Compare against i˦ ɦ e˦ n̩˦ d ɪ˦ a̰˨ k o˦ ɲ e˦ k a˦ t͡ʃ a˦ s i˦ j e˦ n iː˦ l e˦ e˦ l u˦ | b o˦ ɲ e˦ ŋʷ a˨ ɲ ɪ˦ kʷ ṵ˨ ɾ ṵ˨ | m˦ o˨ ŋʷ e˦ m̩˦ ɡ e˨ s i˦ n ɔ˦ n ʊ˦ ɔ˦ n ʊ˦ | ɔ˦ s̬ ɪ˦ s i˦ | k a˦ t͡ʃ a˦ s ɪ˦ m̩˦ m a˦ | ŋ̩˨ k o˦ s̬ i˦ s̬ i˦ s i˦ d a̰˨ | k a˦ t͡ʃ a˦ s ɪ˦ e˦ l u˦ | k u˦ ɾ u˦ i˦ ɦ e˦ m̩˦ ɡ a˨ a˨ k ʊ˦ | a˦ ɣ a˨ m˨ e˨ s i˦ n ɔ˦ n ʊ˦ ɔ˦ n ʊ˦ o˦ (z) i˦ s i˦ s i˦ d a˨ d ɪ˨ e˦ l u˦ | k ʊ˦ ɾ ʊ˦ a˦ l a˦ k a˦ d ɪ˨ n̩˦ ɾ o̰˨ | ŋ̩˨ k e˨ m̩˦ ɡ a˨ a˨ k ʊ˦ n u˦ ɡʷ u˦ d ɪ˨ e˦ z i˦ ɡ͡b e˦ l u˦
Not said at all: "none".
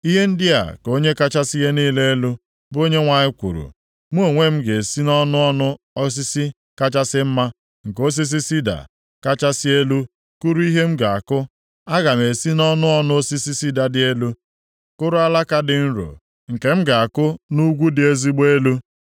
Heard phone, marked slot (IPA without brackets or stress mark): s